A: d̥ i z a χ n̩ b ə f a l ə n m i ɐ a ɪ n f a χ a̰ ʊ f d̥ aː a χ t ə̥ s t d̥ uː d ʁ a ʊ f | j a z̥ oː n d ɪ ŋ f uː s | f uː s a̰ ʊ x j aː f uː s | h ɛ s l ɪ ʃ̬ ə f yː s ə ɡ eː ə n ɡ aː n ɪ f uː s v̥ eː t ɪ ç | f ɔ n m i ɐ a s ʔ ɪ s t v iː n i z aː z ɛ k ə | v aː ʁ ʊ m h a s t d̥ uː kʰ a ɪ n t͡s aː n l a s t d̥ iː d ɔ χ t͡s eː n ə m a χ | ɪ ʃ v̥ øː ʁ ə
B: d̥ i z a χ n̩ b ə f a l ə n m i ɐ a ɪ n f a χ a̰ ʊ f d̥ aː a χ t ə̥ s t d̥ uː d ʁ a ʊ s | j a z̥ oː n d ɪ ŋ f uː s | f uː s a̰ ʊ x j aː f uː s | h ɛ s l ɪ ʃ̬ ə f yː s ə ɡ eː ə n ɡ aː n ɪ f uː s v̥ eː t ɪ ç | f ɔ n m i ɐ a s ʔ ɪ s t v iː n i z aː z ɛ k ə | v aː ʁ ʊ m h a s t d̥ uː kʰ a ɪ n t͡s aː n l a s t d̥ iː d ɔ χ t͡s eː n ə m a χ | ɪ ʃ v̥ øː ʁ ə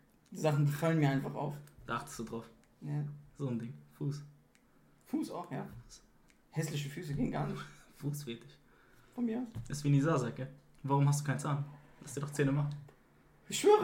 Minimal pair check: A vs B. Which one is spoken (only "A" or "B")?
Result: A